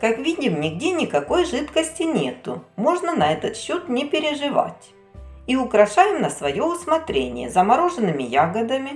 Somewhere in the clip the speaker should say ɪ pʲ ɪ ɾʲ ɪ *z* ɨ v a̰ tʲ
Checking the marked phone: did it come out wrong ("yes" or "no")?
yes